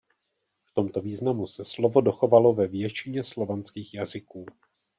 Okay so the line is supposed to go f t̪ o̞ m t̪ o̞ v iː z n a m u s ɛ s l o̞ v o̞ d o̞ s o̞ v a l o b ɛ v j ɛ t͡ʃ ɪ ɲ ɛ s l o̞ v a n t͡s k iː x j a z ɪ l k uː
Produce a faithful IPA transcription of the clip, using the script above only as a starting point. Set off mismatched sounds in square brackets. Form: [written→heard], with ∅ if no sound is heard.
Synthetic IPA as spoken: f t̪ o̞ m t̪ o̞ v iː z n a m u s ɛ s l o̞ v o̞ d o̞ [s→x] o̞ v a l o [b→v] ɛ v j ɛ t͡ʃ ɪ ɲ ɛ s l o̞ v a n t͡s k iː x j a z ɪ [l→∅] k uː